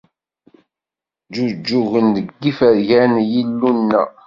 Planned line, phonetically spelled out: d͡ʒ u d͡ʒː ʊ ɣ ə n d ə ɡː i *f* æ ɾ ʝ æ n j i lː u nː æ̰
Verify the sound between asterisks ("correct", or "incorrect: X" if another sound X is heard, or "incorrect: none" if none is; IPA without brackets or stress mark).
correct